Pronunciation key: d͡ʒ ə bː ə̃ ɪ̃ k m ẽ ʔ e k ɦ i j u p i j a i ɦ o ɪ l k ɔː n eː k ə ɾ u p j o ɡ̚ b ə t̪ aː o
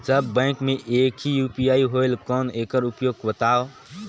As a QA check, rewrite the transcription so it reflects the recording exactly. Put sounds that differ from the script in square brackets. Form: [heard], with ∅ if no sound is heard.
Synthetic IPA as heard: d͡ʒ ə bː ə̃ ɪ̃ k m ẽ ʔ e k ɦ i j u p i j a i ɦ o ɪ l k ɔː n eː k ə ɾ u p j o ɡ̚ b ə t̪ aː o